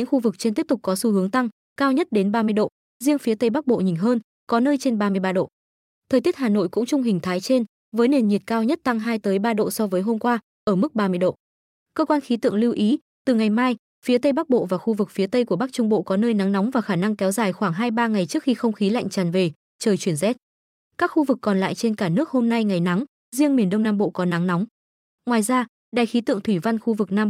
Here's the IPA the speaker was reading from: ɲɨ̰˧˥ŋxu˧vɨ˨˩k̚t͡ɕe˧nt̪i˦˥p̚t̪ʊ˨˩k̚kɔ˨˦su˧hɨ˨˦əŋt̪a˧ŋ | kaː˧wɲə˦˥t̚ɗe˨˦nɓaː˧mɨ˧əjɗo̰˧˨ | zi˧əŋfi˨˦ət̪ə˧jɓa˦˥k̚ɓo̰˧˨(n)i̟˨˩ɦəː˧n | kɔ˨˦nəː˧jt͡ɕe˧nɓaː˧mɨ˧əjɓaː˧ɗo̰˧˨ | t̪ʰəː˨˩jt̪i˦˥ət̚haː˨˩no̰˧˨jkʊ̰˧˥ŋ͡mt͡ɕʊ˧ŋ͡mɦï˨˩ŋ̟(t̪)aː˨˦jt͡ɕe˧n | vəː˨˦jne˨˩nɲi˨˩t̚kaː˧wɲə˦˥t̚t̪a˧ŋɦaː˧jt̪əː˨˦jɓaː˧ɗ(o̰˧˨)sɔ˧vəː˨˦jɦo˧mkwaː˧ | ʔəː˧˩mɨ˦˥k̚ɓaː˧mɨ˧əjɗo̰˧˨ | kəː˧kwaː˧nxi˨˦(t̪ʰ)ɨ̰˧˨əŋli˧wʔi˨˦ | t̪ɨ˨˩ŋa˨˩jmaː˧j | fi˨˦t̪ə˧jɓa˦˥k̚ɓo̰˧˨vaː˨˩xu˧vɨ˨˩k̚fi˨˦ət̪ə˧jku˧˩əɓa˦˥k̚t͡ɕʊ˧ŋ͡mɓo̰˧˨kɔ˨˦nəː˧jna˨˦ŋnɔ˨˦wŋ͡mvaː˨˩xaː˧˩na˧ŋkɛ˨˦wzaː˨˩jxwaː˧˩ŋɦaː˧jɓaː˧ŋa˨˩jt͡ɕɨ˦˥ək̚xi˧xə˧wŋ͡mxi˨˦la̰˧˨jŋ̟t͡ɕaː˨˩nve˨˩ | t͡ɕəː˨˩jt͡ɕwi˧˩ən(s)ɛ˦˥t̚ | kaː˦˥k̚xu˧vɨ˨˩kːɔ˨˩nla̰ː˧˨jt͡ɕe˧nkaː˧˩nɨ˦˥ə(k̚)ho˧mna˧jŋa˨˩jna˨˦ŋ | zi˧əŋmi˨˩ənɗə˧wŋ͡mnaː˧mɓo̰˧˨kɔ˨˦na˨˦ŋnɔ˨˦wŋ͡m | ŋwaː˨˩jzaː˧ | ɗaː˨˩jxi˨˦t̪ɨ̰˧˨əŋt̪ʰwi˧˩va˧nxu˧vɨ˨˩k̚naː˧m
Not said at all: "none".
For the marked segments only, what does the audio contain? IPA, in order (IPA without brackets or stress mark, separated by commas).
ɲ, t̪ʰ, o̰˧˨, t̪, z, k̚